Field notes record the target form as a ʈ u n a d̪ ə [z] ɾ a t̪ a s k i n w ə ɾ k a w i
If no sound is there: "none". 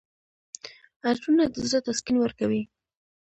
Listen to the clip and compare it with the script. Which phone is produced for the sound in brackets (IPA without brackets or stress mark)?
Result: z